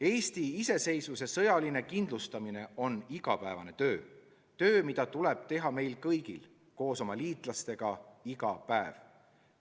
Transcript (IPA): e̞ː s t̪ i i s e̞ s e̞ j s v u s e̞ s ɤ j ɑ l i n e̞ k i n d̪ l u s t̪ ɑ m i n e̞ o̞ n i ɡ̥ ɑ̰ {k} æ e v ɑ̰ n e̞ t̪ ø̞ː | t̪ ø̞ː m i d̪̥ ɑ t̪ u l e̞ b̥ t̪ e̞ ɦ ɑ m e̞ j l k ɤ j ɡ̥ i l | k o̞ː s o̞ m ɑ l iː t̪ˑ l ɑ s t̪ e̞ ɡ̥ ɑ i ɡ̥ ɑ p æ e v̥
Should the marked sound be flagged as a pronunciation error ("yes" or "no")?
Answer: yes